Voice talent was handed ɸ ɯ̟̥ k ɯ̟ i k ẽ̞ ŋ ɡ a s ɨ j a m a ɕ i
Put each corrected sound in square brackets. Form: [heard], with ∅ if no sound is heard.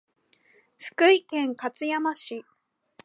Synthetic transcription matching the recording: ɸ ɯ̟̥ k ɯ̟ i k ẽ̞ ŋ [k] a [t͡s] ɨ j a m a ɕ i